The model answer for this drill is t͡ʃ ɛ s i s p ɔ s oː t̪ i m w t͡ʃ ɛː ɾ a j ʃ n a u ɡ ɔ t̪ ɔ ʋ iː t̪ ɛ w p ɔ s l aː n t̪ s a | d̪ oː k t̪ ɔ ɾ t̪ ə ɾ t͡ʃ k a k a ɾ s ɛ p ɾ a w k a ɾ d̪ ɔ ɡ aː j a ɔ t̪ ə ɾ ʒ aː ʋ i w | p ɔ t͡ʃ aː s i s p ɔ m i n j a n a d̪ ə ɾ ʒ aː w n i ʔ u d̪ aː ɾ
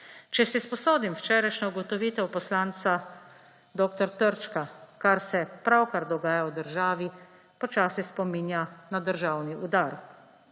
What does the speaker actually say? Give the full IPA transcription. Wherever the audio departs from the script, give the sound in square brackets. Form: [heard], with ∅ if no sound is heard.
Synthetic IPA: t͡ʃ ɛ s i s p ɔ s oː [d̪] i m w t͡ʃ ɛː ɾ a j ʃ n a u ɡ ɔ t̪ ɔ ʋ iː t̪ ɛ w p ɔ s l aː n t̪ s a | d̪ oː k t̪ ɔ ɾ t̪ ə ɾ t͡ʃ k a k a ɾ s ɛ p ɾ a w k a ɾ d̪ ɔ ɡ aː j a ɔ [d̪] ə ɾ ʒ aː ʋ i [∅] | p ɔ t͡ʃ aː s i s p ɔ m i n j a n a d̪ ə ɾ ʒ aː w n i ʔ u d̪ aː ɾ